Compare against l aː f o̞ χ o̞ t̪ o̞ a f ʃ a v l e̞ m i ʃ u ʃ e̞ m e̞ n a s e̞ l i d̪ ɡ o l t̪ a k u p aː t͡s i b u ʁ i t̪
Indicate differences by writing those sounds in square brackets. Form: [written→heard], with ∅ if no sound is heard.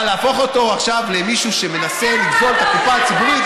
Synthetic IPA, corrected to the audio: l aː f o̞ χ o̞ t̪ o̞ a [f→χ] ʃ a v l e̞ m i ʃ u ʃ e̞ m e̞ n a s e̞ l i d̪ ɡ o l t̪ a k u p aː t͡s i b u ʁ i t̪